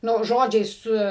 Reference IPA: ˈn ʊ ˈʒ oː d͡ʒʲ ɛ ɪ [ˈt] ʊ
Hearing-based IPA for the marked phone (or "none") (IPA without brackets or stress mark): s